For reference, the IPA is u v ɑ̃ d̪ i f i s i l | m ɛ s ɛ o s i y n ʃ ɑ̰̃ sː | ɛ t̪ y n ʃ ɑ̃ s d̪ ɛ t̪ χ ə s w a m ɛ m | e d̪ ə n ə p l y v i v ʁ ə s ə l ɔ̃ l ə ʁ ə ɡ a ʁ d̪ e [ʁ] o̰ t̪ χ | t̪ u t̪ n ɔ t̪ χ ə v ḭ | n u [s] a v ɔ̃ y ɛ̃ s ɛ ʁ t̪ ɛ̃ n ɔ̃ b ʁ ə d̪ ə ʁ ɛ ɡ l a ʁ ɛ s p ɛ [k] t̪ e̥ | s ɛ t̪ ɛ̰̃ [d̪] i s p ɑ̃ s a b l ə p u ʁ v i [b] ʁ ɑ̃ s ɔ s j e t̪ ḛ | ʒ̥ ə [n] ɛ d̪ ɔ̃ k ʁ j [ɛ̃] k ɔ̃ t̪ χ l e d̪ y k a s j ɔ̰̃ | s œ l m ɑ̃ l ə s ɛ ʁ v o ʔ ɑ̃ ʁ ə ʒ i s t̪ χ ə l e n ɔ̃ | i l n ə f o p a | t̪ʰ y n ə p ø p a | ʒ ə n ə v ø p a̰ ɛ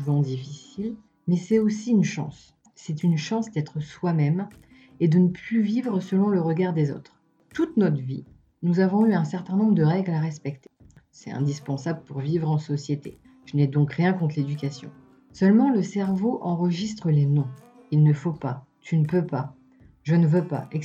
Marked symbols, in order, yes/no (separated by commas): no, no, yes, yes, no, yes, yes